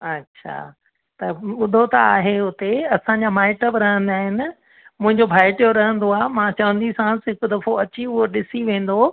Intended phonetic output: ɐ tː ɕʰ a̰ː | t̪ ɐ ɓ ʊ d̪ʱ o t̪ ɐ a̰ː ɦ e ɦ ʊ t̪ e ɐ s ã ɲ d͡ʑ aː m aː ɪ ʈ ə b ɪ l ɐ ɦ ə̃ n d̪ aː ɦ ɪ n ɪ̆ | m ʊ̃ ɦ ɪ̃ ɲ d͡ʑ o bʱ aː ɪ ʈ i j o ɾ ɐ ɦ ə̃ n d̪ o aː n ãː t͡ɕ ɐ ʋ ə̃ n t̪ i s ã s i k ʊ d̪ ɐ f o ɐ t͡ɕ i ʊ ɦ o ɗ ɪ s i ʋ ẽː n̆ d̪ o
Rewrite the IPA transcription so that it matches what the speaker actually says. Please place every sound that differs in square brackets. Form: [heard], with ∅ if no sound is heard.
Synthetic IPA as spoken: ɐ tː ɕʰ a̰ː | t̪ ɐ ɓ ʊ d̪ʱ o t̪ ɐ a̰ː ɦ e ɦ ʊ t̪ e ɐ s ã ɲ d͡ʑ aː m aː ɪ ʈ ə b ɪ [ɾ] ɐ ɦ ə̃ n d̪ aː ɦ ɪ n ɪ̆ | m ʊ̃ ɦ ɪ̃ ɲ d͡ʑ o bʱ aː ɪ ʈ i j o ɾ ɐ ɦ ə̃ n d̪ o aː [m] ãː t͡ɕ ɐ ʋ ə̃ n [d̪] i s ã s [ɪ] k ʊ d̪ ɐ f o ɐ t͡ɕ i ʊ ɦ o ɗ ɪ s i ʋ ẽː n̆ d̪ o